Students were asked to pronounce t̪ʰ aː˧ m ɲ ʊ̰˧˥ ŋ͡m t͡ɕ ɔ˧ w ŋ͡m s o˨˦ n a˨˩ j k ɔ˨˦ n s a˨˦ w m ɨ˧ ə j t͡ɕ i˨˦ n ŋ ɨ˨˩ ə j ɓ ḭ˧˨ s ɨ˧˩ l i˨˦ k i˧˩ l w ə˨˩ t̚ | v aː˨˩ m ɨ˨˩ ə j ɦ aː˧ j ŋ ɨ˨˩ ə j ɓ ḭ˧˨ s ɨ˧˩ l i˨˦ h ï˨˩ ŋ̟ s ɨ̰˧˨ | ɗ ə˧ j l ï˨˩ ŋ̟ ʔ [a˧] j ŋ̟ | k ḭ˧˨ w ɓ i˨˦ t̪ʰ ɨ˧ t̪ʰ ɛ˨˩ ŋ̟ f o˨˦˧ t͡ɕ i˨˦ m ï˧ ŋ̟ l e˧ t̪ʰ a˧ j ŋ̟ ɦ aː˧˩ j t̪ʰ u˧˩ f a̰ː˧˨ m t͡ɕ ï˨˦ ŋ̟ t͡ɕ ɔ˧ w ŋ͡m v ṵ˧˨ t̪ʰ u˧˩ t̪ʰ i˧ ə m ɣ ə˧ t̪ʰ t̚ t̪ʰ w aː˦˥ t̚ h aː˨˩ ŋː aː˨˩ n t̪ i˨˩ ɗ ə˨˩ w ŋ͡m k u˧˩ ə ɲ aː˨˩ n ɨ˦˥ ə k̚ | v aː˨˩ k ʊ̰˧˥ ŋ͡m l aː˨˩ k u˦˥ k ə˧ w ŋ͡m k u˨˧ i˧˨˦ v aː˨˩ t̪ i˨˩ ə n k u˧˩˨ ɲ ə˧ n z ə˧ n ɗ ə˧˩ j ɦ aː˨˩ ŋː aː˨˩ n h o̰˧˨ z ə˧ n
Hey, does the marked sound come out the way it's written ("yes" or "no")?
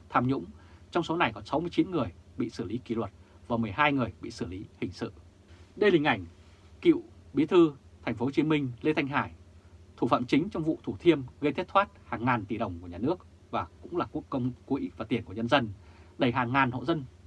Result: no